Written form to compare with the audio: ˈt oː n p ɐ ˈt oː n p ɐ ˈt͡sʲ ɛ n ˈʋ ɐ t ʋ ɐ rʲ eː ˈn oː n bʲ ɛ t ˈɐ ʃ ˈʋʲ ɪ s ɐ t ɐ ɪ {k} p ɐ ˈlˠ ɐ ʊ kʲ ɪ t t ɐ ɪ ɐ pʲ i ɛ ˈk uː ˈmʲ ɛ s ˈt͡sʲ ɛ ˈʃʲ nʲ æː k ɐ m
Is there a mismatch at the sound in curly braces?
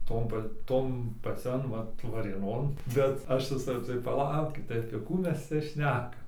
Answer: yes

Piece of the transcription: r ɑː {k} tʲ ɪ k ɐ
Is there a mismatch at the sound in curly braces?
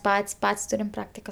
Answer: no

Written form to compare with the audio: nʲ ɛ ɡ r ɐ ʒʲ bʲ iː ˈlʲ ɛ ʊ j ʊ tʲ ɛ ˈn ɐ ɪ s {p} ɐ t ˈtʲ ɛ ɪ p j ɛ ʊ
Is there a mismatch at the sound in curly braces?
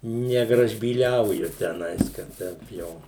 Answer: yes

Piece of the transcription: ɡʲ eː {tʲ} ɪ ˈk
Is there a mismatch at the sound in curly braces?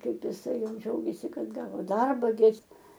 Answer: yes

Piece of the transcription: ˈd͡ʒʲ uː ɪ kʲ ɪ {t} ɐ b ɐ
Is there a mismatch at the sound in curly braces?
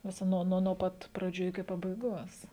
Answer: yes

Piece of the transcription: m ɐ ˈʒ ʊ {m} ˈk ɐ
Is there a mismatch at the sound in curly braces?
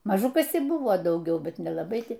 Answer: yes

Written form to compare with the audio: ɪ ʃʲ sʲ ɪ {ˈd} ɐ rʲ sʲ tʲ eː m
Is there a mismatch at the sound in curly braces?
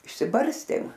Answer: yes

